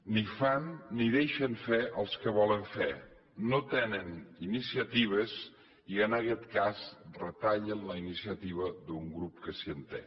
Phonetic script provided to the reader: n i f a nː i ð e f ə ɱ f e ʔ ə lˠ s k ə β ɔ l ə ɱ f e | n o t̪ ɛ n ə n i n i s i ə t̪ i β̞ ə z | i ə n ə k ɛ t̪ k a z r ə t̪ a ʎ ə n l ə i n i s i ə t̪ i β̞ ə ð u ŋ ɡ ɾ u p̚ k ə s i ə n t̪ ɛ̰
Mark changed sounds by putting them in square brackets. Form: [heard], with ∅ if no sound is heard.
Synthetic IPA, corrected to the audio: n i f a nː i ð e [ʃ] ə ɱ f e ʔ ə lˠ s k ə β ɔ l ə ɱ f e | n o t̪ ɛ n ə n i n i s i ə t̪ i β̞ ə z | i ə n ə k ɛ t̪ k a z r ə t̪ a ʎ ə n l ə i n i s i ə t̪ i β̞ ə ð u ŋ ɡ ɾ u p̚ k ə s i ə n t̪ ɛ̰